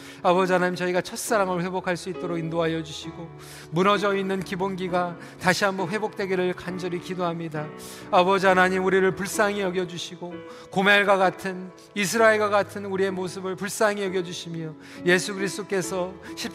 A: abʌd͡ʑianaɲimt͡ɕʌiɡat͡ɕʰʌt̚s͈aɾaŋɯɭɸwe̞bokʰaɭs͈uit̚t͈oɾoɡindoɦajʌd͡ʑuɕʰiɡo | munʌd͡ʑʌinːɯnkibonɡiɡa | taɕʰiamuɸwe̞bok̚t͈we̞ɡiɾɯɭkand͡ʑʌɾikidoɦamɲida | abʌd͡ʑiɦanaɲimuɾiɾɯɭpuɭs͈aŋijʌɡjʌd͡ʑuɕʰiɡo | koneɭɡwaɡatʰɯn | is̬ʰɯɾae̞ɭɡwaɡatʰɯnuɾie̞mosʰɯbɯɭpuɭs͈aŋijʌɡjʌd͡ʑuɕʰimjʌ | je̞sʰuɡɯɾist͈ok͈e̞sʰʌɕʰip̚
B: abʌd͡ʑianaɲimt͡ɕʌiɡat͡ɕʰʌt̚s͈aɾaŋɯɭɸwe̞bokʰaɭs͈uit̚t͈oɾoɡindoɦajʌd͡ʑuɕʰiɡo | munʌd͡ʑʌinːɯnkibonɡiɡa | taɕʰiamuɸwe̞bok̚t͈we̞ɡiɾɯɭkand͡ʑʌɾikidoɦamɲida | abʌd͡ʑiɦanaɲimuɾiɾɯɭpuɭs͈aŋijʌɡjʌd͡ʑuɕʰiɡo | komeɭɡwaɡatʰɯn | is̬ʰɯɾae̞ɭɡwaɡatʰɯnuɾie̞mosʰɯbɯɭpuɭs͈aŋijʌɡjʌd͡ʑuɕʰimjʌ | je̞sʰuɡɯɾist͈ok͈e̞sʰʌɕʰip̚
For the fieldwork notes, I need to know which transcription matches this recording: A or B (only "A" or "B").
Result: B